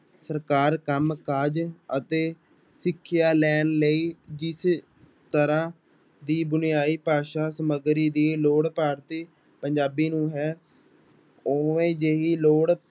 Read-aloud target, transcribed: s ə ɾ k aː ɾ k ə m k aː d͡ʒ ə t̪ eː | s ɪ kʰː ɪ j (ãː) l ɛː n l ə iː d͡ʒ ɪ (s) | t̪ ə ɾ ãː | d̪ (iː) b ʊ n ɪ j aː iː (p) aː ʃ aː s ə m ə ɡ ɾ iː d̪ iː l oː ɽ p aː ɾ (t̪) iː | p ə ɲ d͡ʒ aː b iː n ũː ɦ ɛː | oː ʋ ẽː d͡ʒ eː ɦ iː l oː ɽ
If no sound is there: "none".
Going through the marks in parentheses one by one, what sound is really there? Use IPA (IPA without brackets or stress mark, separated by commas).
aː, s, iː, p, t̪